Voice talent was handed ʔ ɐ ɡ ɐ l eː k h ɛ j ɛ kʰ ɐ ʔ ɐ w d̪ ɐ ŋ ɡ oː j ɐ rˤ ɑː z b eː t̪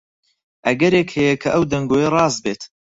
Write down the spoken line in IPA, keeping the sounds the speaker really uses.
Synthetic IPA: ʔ ɐ ɡ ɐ ɾ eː k h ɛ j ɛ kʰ ɐ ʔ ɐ w d̪ ɐ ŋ ɡ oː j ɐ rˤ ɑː z b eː t̪